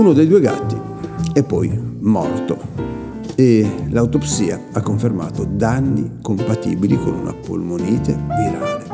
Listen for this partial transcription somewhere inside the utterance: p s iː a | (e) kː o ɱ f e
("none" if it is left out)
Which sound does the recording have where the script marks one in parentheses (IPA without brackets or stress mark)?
a